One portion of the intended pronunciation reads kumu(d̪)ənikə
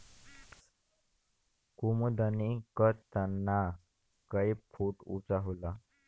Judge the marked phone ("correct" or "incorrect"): correct